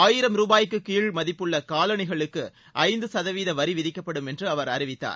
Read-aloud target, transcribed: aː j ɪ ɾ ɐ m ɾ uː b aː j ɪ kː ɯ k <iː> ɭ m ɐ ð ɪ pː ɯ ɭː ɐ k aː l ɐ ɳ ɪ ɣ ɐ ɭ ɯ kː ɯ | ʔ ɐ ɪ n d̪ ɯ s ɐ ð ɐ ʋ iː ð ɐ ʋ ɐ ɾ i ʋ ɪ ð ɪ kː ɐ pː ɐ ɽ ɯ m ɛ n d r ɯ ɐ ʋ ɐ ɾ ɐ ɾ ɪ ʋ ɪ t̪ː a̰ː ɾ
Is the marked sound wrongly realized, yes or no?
no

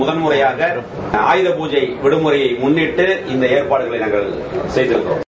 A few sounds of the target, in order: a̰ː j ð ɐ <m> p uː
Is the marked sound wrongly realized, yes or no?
yes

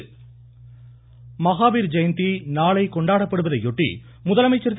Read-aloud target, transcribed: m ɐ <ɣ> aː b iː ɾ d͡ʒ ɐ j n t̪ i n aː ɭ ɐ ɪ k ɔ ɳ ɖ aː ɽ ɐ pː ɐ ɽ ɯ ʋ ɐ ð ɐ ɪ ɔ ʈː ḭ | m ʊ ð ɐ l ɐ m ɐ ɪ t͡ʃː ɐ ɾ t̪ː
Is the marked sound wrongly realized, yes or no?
no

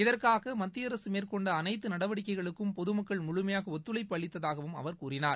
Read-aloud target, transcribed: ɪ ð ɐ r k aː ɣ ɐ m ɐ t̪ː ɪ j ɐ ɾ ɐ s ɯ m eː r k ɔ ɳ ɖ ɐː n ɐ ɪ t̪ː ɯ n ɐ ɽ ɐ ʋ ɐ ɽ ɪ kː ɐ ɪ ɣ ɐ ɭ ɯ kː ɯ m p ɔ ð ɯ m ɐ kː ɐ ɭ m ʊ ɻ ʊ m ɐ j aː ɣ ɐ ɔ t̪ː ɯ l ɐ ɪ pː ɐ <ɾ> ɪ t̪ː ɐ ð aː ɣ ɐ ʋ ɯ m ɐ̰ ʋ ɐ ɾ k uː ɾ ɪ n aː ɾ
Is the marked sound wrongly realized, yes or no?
yes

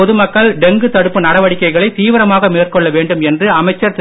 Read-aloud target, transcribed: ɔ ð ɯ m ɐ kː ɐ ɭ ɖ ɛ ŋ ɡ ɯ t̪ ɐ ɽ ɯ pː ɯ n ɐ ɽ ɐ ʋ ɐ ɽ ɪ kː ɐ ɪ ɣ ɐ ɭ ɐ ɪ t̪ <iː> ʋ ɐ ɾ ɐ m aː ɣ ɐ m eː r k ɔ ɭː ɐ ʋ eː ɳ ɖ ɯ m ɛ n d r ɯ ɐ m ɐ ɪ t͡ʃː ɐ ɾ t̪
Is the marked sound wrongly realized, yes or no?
no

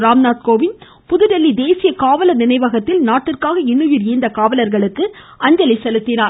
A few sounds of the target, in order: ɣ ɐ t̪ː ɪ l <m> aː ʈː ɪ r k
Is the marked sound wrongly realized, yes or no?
yes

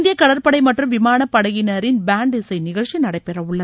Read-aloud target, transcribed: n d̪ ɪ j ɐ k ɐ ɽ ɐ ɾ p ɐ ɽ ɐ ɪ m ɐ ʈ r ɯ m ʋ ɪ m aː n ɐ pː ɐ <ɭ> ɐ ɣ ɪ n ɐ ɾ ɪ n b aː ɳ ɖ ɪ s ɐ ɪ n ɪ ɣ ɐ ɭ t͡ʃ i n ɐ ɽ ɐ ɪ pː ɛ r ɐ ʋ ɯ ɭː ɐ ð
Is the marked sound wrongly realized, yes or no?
yes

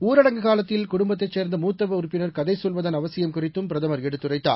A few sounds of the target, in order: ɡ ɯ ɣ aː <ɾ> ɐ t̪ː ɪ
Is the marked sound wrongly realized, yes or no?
yes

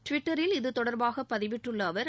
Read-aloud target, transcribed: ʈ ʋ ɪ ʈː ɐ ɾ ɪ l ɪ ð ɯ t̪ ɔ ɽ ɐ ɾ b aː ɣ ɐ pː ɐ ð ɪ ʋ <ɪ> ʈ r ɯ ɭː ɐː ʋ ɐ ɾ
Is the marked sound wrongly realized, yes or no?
no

